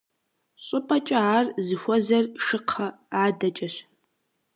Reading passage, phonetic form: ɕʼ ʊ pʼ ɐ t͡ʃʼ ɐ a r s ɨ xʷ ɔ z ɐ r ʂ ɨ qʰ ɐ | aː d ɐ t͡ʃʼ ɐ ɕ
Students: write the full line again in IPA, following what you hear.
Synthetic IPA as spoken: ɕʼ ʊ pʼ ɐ t͡ʃʼ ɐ a r z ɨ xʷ ɔ z ɐ r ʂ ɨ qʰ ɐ | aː d ɐ t͡ʃʼ ɐ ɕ